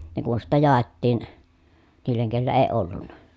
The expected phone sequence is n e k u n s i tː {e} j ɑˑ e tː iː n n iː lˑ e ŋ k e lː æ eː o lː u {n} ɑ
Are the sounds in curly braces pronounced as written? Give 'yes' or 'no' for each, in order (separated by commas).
no, no